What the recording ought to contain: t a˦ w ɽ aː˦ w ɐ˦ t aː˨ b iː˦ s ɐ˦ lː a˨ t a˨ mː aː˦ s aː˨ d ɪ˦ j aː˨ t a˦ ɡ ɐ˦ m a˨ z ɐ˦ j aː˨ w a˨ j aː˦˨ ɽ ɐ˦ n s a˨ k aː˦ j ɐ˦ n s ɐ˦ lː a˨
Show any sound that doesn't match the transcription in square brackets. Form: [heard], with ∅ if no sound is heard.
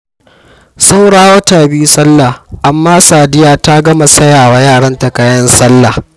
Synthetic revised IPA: [s] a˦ w ɽ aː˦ w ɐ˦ t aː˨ b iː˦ s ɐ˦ lː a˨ [ʔ] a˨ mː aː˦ s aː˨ d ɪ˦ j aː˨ t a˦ ɡ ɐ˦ m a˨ [s] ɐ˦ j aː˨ w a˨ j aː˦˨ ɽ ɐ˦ n [t] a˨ k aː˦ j ɐ˦ n s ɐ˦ lː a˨